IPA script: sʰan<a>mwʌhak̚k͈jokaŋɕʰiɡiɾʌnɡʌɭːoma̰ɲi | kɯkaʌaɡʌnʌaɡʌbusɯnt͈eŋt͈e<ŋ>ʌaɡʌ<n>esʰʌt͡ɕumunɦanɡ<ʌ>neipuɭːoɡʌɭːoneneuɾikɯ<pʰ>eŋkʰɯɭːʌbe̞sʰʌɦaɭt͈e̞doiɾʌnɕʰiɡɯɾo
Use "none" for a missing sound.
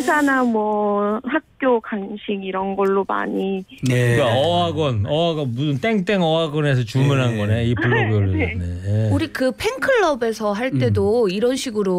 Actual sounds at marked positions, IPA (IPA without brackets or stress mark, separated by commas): a, ŋ, n, ʌ, pʰ